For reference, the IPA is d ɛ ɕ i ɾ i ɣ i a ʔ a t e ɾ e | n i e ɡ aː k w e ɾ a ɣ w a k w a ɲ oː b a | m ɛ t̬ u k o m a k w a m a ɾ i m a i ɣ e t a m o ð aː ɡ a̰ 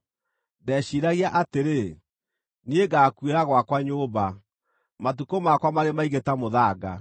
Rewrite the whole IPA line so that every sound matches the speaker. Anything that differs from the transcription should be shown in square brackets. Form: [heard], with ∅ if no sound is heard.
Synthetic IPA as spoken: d ɛ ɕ i ɾ [a] ɣ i a ʔ a t e ɾ e | n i e ɡ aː k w e ɾ a ɣ w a k w a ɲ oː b a | m [a] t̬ u k o m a k w a m a ɾ [e] m a i ɣ e t a m o ð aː ɡ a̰